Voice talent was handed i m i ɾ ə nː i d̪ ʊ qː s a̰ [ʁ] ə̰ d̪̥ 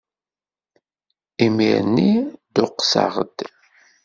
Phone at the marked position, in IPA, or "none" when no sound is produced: ʁ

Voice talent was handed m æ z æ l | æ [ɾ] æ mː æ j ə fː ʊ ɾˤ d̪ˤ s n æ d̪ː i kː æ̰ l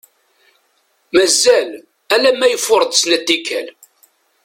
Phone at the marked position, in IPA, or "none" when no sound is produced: l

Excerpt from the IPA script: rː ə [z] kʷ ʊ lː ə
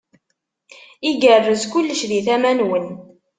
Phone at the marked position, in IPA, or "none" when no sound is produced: z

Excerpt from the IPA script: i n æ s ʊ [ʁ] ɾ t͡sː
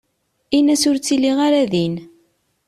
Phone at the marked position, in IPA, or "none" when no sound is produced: none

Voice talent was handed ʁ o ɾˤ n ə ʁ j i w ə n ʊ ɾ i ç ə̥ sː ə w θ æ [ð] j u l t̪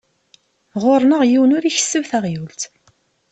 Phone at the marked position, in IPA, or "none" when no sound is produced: ʁ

